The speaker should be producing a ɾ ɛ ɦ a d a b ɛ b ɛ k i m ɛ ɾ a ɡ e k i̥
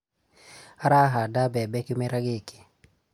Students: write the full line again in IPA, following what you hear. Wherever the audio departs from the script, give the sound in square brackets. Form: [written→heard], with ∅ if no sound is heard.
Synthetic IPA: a ɾ [ɛ→a] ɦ a d a b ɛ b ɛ k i m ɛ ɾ a ɡ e k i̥